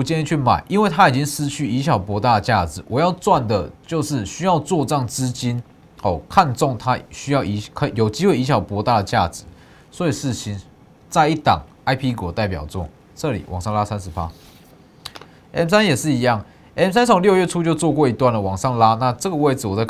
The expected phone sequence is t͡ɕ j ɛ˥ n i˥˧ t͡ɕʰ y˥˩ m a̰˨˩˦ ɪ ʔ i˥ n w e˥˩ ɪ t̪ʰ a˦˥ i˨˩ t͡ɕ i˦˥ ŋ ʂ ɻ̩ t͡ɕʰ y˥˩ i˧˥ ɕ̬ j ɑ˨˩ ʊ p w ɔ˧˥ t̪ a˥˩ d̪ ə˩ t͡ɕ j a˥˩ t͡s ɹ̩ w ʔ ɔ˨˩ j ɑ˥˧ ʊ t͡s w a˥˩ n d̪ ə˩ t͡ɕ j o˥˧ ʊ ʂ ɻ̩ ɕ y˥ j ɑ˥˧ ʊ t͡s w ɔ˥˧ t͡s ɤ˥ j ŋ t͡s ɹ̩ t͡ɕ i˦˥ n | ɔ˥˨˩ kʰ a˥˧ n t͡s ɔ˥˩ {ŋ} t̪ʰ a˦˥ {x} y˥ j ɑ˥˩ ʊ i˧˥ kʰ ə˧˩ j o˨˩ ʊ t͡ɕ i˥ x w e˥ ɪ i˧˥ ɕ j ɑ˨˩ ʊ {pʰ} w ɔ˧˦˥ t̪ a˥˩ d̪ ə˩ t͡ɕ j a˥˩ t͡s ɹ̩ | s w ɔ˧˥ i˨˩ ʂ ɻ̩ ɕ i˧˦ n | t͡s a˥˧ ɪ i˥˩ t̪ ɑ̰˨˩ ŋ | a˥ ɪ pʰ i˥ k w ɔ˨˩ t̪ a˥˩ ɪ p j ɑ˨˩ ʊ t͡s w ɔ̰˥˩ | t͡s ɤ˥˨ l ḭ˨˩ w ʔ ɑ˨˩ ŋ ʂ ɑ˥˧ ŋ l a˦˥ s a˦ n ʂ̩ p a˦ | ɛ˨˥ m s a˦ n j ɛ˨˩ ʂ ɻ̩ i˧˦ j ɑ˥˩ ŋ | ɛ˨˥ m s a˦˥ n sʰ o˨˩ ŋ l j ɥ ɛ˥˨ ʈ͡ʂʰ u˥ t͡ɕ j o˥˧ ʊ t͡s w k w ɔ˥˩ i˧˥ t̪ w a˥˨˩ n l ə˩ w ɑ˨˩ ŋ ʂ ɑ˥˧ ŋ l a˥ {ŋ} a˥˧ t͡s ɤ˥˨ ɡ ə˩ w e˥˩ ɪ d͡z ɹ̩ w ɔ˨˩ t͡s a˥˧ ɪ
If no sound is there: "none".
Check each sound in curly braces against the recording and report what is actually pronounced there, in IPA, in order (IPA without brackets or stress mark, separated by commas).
ŋ, ɕ, p, n